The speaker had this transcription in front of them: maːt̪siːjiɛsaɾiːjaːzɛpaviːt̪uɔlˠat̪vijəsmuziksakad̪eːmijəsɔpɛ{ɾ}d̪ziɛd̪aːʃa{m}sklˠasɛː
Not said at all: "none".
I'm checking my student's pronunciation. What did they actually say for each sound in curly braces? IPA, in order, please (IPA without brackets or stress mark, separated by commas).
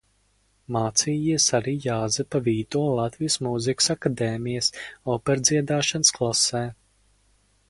ɾ, n